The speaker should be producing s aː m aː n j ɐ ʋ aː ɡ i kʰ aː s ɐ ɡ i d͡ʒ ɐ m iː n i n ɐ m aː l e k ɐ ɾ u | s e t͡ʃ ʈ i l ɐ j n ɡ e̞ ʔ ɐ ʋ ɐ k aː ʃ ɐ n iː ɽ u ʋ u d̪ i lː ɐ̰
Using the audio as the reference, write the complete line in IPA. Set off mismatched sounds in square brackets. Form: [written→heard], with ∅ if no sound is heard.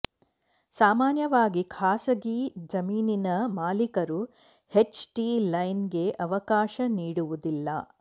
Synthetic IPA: s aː m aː n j ɐ ʋ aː ɡ i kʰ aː s ɐ ɡ i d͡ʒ ɐ m iː n i n ɐ m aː l [e→i] k ɐ ɾ u | [s→h] e t͡ʃ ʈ i l ɐ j n ɡ e̞ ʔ ɐ ʋ ɐ k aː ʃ ɐ n iː ɽ u ʋ u d̪ i lː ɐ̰